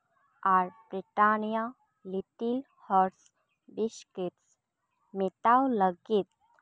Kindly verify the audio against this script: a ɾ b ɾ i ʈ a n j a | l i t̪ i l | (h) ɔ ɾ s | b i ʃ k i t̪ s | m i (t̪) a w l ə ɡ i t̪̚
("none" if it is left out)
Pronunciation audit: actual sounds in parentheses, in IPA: h, t̪

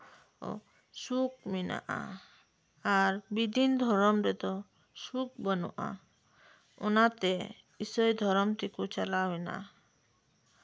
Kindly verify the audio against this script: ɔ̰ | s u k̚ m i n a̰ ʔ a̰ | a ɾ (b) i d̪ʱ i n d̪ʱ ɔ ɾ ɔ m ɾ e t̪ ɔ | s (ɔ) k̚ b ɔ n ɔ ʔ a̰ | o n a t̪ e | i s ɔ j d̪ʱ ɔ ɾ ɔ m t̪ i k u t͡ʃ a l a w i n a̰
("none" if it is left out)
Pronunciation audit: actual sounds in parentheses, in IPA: b, u

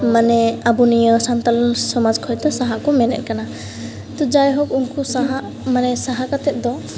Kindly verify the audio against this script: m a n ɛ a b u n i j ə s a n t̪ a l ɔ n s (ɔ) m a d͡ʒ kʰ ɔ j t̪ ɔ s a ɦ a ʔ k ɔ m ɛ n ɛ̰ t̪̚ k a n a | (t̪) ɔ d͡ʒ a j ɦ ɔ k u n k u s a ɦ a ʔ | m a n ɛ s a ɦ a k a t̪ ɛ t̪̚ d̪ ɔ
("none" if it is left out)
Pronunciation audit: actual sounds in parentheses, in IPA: ɔ, t̪

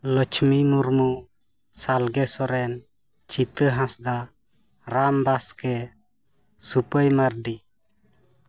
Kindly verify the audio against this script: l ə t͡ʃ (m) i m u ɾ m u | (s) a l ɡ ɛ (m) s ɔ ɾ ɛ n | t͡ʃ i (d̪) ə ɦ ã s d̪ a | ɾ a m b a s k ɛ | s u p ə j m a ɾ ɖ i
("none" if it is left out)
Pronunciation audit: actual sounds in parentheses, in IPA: m, s, none, t̪

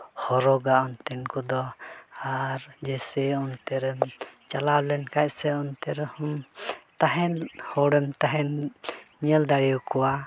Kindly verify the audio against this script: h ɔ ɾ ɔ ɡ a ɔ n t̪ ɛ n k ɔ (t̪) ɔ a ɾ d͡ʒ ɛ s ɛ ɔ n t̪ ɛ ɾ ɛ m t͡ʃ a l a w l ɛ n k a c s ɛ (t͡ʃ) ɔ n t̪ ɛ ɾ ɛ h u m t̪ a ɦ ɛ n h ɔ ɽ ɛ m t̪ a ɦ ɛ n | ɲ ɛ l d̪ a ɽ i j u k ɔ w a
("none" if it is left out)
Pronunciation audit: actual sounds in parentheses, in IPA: d̪, none

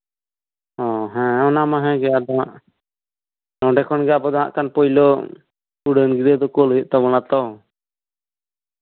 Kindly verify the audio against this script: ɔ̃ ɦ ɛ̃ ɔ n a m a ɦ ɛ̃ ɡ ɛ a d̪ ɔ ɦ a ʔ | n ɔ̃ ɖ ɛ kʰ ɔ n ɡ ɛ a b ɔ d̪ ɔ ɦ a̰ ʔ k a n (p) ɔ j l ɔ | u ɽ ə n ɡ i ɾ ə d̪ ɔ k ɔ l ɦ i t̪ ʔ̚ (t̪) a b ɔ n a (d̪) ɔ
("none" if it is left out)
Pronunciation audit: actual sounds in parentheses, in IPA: p, t̪, t̪

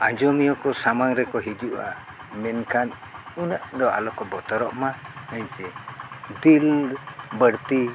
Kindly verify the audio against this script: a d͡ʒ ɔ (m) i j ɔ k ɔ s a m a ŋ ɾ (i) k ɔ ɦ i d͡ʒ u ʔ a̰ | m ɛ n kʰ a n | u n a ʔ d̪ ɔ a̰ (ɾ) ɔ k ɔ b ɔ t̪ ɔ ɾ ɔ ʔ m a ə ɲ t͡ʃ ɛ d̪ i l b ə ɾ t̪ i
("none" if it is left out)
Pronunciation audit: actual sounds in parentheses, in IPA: m, ɛ, l

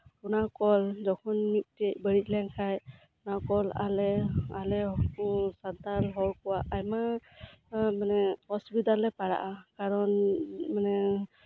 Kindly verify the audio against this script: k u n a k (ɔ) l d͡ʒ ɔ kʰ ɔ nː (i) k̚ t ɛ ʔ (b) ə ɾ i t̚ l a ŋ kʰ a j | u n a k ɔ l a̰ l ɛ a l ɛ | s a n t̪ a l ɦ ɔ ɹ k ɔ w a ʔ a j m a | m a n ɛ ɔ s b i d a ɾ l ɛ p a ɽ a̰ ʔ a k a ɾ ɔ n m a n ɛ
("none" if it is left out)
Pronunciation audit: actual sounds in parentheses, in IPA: ɔ, i, b

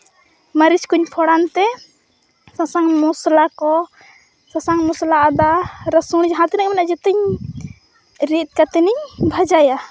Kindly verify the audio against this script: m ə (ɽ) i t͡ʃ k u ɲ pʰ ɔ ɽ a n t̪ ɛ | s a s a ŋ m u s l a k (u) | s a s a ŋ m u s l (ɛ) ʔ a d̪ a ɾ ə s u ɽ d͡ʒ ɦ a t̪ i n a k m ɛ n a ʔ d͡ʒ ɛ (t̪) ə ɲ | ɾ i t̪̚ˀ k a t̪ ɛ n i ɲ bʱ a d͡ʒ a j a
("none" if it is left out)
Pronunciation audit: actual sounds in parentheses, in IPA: ɾ, ɔ, a, t̪

